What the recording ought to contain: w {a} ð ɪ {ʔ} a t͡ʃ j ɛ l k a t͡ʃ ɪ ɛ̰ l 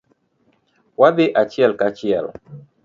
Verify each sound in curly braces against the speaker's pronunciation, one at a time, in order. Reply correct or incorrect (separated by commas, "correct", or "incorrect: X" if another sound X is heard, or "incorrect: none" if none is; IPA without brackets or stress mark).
correct, correct